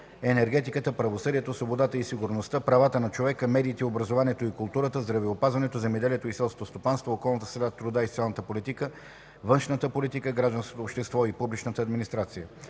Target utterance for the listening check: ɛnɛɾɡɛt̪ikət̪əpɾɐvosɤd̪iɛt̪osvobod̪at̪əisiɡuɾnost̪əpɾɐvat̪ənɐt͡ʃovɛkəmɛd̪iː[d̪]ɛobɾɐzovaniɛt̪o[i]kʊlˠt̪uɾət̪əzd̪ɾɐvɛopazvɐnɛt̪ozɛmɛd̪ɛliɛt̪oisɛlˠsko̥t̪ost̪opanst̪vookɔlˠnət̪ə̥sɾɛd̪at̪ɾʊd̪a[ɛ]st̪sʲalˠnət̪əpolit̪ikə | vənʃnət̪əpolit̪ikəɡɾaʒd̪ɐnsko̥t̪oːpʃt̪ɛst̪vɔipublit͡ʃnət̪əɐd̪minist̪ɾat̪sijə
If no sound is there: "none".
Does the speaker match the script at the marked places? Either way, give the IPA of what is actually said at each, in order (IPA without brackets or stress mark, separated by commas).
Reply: t̪, i, i